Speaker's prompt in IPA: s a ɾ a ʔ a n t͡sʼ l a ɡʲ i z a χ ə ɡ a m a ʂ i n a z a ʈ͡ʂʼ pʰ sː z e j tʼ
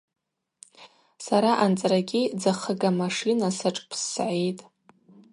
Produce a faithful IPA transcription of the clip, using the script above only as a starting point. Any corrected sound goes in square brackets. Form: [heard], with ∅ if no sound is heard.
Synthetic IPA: s a ɾ a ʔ a n t͡sʼ [r] a ɡʲ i [d͡z] a χ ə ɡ a m a ʂ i n a [s] a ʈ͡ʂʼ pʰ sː [ʕ] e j tʼ